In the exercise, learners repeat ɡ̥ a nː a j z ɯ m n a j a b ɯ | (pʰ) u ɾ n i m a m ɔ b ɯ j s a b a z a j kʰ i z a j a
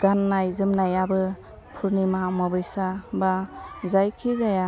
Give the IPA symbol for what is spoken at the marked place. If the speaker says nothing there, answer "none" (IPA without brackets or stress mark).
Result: pʰ